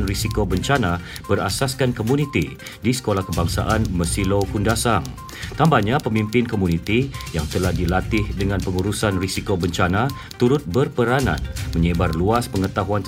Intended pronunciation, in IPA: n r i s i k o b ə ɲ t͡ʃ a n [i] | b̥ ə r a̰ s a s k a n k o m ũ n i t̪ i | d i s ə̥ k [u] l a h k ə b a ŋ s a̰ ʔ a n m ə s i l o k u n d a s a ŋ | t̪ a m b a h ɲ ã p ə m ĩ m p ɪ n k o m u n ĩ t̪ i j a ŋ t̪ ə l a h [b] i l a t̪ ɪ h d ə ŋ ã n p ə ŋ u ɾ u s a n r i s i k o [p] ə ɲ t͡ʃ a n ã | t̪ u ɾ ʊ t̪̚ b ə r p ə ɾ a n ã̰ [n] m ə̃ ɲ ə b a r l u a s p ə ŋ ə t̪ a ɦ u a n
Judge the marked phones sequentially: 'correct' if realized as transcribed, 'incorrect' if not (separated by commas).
incorrect, incorrect, incorrect, incorrect, correct